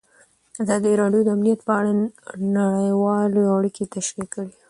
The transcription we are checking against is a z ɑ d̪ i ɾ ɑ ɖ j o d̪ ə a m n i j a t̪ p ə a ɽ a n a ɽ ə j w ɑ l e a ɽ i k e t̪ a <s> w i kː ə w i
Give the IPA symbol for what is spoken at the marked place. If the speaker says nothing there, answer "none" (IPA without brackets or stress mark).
ʃ